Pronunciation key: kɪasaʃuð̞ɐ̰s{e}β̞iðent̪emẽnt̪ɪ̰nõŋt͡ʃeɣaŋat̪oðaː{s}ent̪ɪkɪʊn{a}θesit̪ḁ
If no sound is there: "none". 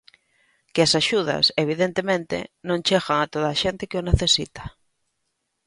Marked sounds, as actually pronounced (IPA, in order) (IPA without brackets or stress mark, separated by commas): e, ʃ, e